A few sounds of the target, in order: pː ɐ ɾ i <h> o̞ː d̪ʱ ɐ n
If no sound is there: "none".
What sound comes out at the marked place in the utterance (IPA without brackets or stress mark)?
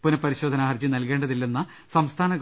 ɕ